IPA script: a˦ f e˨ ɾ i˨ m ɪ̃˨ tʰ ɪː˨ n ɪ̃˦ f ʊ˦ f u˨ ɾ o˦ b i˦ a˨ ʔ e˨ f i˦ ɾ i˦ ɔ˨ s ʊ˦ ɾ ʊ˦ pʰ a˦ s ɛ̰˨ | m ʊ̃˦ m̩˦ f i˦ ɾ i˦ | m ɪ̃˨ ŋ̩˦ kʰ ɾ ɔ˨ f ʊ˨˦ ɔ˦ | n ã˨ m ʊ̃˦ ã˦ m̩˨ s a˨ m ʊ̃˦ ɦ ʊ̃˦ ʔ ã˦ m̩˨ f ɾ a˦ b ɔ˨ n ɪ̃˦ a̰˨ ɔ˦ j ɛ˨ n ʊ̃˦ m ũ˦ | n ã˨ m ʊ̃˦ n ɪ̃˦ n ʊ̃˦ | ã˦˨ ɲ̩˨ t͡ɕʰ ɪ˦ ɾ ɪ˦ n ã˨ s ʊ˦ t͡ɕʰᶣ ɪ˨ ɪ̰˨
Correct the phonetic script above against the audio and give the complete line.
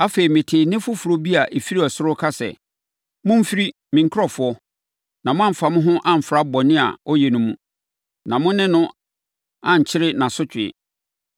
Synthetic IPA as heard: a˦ f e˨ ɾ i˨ m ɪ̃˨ tʰ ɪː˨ n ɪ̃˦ f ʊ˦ f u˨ ɾ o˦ b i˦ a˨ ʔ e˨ f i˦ ɾ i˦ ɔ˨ s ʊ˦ ɾ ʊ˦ kʰ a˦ s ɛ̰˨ | m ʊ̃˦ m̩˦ f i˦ ɾ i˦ | m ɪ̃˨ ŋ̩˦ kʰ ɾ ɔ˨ f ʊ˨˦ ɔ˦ | n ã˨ m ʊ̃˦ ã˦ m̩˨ f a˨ m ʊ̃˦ ɦ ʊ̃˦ ʔ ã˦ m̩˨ f ɾ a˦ b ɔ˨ n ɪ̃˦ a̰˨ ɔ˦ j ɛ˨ n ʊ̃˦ m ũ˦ | n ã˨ m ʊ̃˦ n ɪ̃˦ n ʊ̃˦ | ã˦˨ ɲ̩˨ t͡ɕʰ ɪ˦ ɾ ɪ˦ n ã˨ s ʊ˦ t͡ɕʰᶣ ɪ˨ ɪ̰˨